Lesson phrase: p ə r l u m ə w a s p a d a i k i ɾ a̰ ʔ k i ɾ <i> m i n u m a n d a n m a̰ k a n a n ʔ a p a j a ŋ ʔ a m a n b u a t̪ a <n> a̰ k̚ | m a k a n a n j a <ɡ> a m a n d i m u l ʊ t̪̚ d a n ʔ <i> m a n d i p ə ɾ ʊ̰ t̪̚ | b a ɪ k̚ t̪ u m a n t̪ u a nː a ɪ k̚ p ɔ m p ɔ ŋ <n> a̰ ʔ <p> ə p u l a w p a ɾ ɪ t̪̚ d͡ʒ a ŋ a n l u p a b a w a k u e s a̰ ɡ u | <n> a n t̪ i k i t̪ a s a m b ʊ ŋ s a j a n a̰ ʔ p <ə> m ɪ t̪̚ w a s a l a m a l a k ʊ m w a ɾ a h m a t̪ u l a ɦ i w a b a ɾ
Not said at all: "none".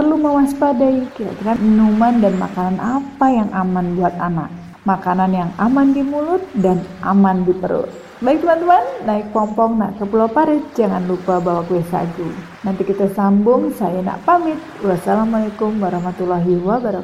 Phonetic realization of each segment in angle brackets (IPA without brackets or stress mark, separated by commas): a, n, ŋ, a, n, k, n, a